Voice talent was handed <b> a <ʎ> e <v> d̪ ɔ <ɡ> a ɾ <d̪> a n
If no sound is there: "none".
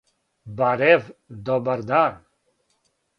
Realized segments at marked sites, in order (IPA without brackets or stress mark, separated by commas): b, ɾ, v, b, d̪